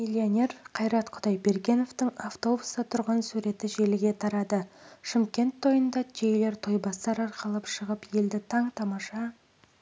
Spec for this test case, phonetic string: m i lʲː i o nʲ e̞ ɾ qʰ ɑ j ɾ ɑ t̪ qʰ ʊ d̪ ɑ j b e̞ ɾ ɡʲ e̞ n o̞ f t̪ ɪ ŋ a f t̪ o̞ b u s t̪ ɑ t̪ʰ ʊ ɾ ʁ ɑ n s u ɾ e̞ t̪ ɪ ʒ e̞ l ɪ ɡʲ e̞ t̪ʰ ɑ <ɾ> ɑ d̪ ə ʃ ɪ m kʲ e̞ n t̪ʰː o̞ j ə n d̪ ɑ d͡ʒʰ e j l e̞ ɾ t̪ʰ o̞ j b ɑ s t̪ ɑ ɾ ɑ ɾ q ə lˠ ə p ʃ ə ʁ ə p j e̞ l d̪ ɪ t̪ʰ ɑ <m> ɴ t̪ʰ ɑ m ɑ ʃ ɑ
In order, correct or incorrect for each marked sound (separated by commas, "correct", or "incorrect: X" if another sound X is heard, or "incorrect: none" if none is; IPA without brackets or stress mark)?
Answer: correct, incorrect: none